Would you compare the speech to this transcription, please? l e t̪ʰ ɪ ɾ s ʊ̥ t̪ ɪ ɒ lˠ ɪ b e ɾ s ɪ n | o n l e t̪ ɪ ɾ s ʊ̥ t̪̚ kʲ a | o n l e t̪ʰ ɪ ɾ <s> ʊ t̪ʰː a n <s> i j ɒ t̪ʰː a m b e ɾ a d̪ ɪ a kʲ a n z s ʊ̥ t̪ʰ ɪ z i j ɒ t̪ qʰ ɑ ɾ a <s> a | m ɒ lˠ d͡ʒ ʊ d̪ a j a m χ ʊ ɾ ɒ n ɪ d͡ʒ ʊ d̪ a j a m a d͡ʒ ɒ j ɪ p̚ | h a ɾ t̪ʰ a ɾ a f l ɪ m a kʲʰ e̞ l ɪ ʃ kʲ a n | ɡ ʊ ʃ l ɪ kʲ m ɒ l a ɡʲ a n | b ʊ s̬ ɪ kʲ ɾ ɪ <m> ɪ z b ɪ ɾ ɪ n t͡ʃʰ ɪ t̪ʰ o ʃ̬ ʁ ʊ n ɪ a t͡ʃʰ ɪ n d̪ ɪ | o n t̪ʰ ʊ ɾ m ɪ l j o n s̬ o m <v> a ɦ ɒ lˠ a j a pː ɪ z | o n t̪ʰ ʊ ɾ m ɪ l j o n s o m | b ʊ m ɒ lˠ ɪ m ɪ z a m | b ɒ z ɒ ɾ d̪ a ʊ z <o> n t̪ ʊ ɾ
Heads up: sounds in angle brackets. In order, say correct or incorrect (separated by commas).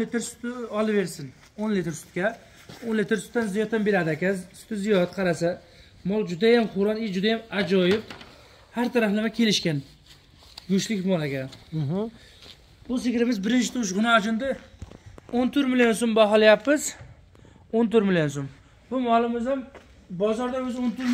correct, incorrect, correct, correct, incorrect, correct